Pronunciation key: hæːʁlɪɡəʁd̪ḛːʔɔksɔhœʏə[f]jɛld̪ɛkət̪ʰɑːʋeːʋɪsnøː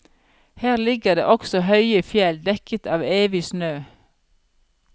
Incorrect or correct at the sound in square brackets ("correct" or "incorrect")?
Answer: correct